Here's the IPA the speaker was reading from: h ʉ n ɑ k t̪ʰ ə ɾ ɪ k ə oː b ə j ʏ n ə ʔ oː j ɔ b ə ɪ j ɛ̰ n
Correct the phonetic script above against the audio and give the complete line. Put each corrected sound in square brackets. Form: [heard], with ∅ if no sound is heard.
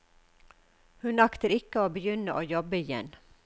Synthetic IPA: h ʉ n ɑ k [t̪] ə ɾ ɪ k ə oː b ə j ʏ n ə ʔ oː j ɔ b ə ɪ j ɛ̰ n